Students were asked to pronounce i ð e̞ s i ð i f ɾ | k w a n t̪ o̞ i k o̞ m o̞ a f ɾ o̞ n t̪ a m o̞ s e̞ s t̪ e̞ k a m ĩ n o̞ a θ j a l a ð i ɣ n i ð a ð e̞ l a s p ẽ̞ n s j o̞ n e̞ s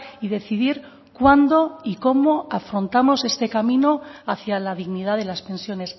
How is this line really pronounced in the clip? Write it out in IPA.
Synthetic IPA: i ð e̞ θ i ð i ɾ | k w a n d̪ o̞ i k o̞ m o̞ a f ɾ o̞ n t̪ a m o̞ s e̞ s t̪ e̞ k a m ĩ n o̞ a θ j a l a ð i ɣ n i ð a ð e̞ l a s p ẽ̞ n s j o̞ n e̞ s